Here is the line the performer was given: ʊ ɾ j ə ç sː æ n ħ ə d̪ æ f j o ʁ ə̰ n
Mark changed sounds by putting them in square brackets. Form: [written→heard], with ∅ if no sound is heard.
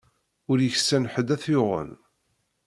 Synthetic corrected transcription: ʊ ɾ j ə ç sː æ n ħ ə d̪ æ [f→θ] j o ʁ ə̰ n